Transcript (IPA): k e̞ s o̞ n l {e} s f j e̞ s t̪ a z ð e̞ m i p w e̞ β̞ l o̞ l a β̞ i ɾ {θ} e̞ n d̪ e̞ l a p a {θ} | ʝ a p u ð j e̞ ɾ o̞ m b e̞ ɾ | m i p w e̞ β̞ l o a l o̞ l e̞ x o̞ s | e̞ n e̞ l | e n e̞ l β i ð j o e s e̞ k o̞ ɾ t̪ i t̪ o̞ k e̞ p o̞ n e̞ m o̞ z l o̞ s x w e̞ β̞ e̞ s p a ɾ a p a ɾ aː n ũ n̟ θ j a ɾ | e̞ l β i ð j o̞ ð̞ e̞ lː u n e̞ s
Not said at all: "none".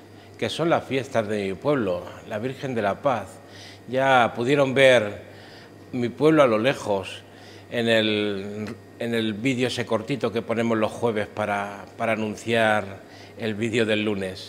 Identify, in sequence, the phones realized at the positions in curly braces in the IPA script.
a, x, θ

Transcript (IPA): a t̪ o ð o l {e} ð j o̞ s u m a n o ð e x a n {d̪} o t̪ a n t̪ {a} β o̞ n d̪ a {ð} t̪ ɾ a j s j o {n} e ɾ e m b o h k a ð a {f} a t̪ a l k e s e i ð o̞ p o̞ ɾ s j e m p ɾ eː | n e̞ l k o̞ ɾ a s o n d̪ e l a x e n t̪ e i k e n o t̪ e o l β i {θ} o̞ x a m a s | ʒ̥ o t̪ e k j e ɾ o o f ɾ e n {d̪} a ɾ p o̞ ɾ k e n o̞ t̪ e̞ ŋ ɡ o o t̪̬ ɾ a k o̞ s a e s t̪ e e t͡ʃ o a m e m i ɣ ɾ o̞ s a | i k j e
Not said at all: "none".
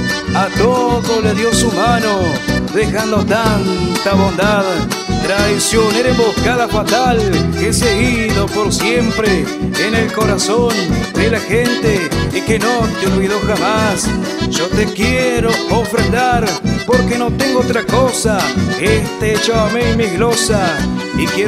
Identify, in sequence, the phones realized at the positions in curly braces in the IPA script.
e, d̪, a, ð, n, f, ð, d̪

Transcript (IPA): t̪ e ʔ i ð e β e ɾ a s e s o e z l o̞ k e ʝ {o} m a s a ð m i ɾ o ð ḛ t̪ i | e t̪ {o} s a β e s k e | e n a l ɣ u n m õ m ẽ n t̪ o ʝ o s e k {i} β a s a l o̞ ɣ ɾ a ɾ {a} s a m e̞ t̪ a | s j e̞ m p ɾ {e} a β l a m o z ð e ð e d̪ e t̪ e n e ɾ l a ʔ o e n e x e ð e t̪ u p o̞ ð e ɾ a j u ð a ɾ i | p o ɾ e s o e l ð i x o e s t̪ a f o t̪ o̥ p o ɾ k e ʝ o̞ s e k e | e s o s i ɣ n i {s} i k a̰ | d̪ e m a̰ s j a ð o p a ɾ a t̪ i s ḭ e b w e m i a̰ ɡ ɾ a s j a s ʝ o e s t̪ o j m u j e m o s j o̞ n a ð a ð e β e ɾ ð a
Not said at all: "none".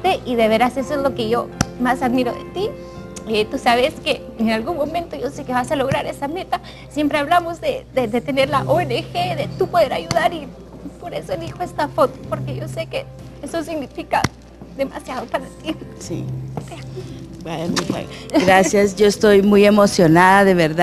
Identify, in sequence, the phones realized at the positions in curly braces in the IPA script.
o, u, e, e, e, f

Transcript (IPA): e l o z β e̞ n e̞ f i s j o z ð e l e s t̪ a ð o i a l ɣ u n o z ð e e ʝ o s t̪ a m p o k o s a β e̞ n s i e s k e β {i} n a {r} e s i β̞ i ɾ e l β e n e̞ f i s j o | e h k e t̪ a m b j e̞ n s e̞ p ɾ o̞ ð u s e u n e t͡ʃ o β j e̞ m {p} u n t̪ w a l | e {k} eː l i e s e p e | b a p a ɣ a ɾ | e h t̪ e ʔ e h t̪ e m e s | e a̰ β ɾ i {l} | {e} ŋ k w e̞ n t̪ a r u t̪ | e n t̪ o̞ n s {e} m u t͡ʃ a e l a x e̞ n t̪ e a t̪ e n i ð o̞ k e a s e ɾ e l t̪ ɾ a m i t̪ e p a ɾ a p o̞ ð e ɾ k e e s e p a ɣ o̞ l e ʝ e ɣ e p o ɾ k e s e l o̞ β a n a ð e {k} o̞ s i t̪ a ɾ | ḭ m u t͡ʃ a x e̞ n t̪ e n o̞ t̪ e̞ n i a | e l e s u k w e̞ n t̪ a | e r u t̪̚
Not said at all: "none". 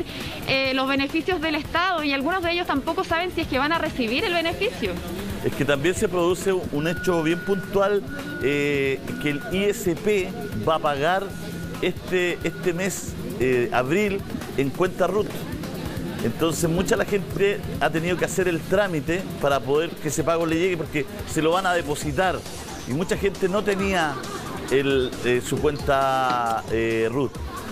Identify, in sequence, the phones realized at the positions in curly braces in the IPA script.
a, r, p, k, l, e, e, p

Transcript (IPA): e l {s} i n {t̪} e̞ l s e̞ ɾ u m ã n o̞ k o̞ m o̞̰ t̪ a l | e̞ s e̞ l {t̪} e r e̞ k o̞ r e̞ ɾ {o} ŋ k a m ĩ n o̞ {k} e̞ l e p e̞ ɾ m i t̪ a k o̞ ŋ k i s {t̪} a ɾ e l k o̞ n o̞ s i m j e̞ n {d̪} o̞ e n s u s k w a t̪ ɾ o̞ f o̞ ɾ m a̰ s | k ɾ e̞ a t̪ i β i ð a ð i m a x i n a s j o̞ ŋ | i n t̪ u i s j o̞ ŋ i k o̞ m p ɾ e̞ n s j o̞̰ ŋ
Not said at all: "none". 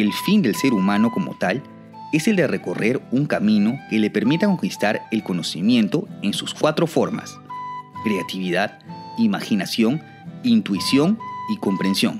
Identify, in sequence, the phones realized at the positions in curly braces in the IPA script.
f, d̪, d̪, u, k, t̪, t̪

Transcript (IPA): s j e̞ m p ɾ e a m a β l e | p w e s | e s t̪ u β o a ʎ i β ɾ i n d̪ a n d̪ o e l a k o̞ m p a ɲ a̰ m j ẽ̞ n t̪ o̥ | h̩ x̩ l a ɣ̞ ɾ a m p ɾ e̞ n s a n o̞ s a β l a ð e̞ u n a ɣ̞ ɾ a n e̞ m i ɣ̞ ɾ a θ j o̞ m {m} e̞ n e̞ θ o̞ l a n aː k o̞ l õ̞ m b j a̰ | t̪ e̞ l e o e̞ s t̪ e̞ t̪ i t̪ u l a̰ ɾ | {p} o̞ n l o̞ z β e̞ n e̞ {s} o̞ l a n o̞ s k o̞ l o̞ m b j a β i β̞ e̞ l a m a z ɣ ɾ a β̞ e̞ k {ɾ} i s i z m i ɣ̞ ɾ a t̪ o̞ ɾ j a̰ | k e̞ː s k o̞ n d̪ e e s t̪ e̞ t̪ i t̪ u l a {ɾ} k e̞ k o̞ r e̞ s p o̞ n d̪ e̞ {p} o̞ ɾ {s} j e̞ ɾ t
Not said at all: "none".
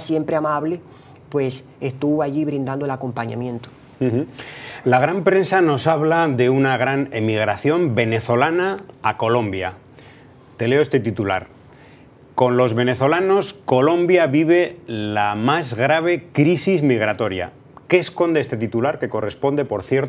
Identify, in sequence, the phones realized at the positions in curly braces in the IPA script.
b, k, θ, ɾ, ɾ, p, θ

